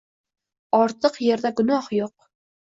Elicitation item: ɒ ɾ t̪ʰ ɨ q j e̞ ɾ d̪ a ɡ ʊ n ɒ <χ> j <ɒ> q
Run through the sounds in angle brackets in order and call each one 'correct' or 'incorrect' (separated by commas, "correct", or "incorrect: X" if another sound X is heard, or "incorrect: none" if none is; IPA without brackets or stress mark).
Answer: incorrect: h, incorrect: o